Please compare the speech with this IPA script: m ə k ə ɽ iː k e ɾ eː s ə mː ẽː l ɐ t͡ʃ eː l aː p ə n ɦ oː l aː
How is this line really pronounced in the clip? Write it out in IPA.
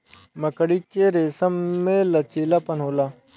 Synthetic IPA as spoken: m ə k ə ɽ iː k e ɾ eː s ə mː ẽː l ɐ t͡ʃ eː l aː p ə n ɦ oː l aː